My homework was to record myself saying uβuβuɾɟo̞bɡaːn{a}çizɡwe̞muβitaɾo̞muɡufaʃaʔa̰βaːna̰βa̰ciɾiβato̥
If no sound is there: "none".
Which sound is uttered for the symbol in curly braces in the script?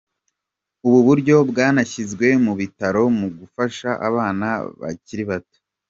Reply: a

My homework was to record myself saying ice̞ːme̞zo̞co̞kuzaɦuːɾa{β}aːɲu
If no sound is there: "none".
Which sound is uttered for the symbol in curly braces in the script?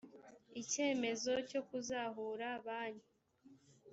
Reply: β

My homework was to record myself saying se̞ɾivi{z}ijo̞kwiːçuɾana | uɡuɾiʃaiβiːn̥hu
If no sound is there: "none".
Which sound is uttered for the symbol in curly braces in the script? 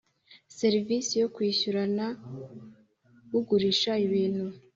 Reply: s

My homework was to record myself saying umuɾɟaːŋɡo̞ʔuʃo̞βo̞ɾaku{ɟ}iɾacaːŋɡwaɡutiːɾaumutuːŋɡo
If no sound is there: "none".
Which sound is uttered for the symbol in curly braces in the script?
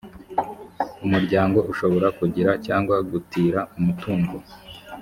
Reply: ɟ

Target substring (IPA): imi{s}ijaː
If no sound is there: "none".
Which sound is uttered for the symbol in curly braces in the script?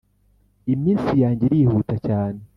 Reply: s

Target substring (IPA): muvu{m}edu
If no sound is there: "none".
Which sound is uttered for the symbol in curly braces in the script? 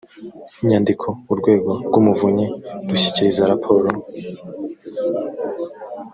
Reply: ɲ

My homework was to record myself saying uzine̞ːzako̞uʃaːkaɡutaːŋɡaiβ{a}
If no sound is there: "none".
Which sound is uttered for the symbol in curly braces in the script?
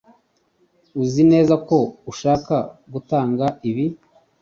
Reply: i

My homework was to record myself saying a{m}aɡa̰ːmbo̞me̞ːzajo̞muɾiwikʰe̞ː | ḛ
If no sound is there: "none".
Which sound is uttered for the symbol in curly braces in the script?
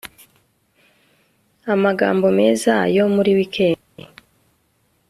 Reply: m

